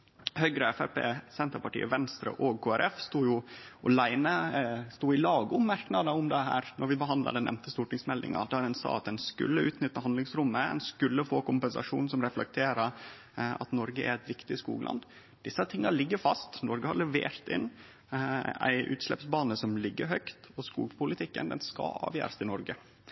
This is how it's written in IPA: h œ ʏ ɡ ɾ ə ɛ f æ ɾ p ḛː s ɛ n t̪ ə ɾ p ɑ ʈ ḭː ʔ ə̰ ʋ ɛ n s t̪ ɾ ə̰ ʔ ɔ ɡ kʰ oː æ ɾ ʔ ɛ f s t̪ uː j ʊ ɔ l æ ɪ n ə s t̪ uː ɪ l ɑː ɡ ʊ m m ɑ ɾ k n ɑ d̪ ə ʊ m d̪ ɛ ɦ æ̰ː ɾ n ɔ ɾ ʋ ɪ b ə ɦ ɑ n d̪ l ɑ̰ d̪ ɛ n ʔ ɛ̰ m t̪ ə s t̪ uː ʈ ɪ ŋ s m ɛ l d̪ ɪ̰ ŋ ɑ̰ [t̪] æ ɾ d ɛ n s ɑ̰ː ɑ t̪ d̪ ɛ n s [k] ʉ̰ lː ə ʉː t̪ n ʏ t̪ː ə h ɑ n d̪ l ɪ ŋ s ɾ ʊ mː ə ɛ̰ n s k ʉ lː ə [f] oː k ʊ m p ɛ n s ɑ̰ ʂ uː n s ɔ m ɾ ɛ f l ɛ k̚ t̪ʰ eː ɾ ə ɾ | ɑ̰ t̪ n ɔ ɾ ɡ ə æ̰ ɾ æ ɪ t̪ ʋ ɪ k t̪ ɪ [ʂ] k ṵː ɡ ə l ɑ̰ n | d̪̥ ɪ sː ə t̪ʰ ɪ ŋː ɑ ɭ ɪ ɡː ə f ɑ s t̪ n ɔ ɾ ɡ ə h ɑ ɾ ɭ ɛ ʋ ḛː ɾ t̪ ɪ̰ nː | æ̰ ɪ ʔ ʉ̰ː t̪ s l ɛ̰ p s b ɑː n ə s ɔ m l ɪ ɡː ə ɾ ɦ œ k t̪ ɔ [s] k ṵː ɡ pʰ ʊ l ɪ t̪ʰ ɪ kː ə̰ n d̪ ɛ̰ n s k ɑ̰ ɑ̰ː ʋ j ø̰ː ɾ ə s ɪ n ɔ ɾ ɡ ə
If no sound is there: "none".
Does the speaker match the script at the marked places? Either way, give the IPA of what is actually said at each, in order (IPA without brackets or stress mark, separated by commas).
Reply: d̪, k, f, s, s